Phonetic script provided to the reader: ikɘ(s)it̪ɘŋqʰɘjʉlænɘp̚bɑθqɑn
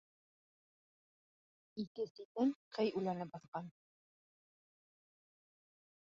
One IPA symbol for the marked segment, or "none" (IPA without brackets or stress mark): s